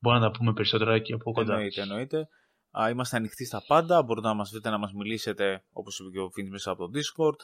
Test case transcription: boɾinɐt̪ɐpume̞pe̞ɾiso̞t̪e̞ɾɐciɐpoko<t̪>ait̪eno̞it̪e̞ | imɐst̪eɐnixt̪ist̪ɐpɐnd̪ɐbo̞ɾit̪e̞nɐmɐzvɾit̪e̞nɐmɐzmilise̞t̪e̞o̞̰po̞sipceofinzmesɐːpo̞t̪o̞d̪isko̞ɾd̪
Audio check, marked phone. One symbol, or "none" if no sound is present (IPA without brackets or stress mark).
d̪